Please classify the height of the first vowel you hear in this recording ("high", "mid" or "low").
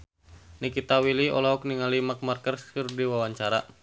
high